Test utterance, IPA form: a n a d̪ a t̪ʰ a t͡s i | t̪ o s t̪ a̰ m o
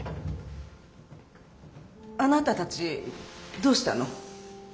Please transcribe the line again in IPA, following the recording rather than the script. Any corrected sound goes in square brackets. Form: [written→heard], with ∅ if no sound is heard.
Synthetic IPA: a n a [d̪→t̪] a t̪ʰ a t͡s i | [t̪→d̪] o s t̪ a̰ [m→n] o

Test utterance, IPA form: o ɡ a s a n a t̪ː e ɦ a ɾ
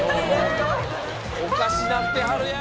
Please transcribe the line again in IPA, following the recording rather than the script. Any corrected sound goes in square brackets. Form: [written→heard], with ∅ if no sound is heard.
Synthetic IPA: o [ɡ→k] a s [a→i] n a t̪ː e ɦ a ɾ

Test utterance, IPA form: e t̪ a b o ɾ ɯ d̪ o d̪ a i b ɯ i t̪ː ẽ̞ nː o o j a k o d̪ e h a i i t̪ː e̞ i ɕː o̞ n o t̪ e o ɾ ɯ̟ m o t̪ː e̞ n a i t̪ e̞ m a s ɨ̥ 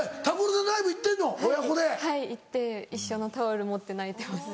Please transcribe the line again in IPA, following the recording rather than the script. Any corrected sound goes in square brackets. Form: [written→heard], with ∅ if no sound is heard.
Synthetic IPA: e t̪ a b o ɾ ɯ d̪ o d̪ a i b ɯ i t̪ː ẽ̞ nː o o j a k o d̪ e h a i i t̪ː e̞ i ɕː o̞ n o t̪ [e→a] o ɾ ɯ̟ m o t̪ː e̞ n a i t̪ e̞ m a s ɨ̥

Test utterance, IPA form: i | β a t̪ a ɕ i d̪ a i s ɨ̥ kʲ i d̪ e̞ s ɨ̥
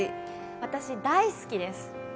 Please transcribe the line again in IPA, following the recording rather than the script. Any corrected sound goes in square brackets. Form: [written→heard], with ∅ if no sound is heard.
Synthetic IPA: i | β a t̪ a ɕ i d̪ a i s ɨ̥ kʲ i d̪ e̞ s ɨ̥

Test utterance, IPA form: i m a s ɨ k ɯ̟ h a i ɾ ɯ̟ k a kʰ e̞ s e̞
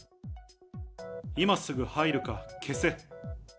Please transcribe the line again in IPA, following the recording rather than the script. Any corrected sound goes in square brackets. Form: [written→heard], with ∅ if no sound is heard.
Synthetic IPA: i m a s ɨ [k→ɡ] ɯ̟ h a i ɾ ɯ̟ k a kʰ e̞ s e̞

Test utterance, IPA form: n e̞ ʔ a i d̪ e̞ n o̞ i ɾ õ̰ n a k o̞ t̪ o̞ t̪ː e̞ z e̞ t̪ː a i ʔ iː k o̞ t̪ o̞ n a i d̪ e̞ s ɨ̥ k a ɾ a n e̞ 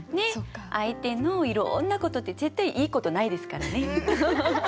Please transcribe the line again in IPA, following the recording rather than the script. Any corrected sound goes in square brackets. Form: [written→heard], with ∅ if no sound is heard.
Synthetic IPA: n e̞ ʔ a i [d̪→t̪] e̞ n o̞ i ɾ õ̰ [n→nː] a k o̞ t̪ o̞ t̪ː e̞ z e̞ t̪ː a i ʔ iː k o̞ t̪ o̞ n a i d̪ e̞ s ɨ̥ k a ɾ a n e̞

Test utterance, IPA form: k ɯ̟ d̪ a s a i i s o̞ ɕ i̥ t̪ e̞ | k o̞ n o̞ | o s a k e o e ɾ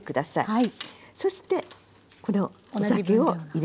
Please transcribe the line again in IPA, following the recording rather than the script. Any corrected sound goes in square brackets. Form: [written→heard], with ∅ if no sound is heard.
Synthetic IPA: k ɯ̟ d̪ a s a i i s o̞ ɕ i̥ t̪ e̞ | k o̞ n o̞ | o s a k e o [e→i] ɾ

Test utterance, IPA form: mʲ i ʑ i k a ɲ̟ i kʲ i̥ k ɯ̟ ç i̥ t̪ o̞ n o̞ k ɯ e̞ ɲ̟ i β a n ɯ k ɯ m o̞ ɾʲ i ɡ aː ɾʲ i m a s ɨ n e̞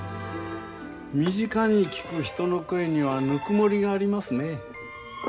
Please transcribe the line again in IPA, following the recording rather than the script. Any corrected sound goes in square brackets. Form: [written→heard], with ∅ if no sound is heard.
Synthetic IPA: mʲ i ʑ i k a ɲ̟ i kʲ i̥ k ɯ̟ ç i̥ t̪ o̞ n o̞ k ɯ e̞ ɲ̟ i β a n ɯ k ɯ m o̞ ɾʲ i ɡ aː ɾʲ i m a s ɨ n e̞

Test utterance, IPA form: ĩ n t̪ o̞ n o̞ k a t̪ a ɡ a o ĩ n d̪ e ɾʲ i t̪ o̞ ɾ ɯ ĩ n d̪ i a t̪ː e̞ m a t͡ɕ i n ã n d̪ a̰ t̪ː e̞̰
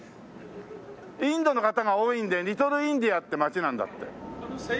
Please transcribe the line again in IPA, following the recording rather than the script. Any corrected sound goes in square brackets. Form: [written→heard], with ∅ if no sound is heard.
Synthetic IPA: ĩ n [t̪→d̪] o̞ n o̞ k a t̪ a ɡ a o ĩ n d̪ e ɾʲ i t̪ o̞ ɾ ɯ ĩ n d̪ i a t̪ː e̞ m a t͡ɕ i n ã n d̪ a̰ t̪ː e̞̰

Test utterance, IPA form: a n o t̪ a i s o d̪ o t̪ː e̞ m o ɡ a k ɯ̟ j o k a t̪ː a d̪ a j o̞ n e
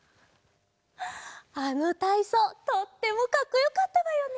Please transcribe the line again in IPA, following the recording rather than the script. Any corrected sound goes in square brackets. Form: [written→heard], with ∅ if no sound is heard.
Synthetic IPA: a n o t̪ a i s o [d̪→t̪] o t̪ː e̞ m o [ɡ→k] a k ɯ̟ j o k a t̪ː a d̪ a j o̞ n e

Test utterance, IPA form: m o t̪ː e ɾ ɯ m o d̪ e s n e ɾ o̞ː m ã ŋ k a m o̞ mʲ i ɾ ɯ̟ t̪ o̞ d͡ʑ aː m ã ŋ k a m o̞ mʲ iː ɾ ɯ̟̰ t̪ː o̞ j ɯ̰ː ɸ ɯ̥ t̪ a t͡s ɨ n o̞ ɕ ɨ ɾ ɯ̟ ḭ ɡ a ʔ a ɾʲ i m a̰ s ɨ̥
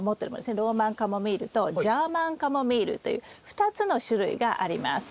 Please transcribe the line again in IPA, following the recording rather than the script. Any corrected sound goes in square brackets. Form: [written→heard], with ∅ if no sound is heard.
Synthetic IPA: m o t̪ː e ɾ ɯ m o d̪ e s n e ɾ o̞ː m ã ŋ k a m o̞ mʲ i ɾ ɯ̟ t̪ o̞ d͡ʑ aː m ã ŋ k a m o̞ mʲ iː ɾ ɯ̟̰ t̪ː o̞ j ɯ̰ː ɸ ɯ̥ t̪ a t͡s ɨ n o̞ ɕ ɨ ɾ ɯ̟ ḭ ɡ a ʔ a ɾʲ i m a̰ s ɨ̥

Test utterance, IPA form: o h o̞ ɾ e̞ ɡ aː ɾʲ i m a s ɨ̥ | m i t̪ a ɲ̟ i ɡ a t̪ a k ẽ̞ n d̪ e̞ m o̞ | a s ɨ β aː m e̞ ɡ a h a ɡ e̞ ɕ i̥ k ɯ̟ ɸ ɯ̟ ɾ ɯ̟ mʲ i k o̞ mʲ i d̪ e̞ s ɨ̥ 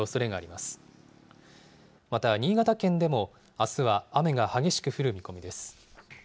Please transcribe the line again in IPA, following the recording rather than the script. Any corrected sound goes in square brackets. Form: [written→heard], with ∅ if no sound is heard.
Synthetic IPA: o [h→s] o̞ ɾ e̞ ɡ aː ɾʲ i m a s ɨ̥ | m [i→a] t̪ a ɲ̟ [i→iː] ɡ a t̪ a k ẽ̞ n d̪ e̞ m o̞ | a s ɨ β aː m e̞ ɡ a h a ɡ e̞ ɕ i̥ k ɯ̟ ɸ ɯ̟ ɾ ɯ̟ mʲ i k o̞ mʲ i d̪ e̞ s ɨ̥

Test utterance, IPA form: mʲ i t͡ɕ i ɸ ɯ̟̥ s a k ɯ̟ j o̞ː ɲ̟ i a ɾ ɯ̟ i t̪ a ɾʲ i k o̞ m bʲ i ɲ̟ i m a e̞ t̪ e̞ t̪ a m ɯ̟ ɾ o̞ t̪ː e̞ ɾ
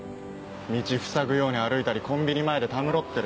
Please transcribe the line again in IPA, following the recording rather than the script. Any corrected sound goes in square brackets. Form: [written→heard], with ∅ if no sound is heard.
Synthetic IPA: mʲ i t͡ɕ i ɸ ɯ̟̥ s a [k→ɡ] ɯ̟ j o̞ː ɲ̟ i a ɾ ɯ̟ i t̪ a ɾʲ i k [o̞→õ̞] m bʲ i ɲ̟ i m a e̞ [t̪→d̪] e̞ t̪ a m ɯ̟ ɾ o̞ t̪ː e̞ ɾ

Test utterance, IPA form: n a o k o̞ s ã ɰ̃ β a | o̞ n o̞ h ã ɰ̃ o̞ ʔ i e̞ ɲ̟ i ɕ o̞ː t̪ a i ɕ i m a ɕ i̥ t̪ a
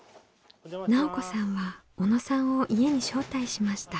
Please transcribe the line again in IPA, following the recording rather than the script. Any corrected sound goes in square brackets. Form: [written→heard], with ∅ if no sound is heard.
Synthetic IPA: n a o k o̞ s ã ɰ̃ β a | o̞ n o̞ [h→s] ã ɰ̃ o̞ ʔ i e̞ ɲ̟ i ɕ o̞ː t̪ a i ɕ i m a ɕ i̥ t̪ a

